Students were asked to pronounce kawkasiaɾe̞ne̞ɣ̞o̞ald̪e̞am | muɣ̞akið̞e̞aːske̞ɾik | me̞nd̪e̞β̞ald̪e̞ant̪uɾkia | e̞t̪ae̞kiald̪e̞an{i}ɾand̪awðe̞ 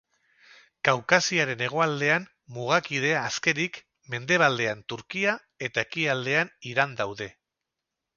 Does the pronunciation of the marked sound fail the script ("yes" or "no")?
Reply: no